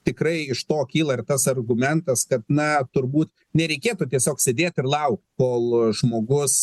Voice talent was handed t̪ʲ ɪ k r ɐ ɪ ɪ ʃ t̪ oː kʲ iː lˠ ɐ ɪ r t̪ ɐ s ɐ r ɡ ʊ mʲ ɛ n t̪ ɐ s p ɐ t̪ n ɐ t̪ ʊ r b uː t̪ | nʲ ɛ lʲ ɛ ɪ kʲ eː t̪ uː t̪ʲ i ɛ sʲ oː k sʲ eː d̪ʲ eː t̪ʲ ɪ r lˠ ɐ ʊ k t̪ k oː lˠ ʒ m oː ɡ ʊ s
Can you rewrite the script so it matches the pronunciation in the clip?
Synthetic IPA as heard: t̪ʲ ɪ k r ɐ ɪ ɪ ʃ t̪ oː kʲ iː lˠ ɐ ɪ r t̪ ɐ s ɐ r ɡ ʊ mʲ ɛ n t̪ ɐ s k ɐ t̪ n ɐ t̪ ʊ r b uː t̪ | nʲ ɛ ɾʲ ɛ ɪ kʲ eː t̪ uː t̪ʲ i ɛ sʲ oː k sʲ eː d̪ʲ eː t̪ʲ ɪ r lˠ ɐ ʊ k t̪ k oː lˠ ʒ m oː ɡ ʊ s